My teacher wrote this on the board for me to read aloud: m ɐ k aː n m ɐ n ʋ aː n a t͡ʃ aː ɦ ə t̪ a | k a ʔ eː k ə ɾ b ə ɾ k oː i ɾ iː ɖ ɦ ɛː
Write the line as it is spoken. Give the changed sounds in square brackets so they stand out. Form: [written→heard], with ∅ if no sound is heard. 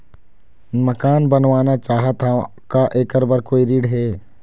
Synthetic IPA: m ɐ k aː n [m→b] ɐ n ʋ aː n a t͡ʃ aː ɦ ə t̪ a | k a ʔ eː k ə ɾ b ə ɾ k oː i ɾ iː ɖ ɦ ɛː